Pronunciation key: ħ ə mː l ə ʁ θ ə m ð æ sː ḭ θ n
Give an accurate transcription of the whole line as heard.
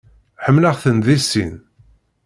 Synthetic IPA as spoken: ħ ə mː l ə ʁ θ ə n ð i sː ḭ n